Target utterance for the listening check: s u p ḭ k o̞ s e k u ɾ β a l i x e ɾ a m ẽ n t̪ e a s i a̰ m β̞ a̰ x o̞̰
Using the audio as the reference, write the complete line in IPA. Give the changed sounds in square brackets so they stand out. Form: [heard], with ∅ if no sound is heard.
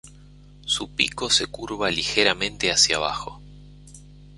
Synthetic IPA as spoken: s u p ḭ k o̞ s e k u ɾ β a l i x e ɾ a m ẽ n t̪ e a s [j] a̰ [∅] β̞ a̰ x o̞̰